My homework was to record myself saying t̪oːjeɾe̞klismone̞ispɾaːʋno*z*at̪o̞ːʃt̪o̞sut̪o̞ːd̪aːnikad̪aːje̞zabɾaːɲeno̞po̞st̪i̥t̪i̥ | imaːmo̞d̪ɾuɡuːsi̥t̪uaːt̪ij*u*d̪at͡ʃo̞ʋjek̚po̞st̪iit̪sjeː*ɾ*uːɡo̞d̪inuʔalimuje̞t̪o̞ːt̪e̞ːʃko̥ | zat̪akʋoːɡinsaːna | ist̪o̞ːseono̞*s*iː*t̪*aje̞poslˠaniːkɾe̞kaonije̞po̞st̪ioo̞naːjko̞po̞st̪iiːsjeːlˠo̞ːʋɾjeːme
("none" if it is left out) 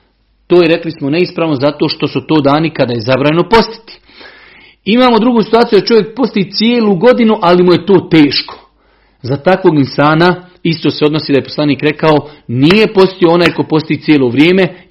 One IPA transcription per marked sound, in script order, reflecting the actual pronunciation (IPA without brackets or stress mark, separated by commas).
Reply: z, u, l, s, d̪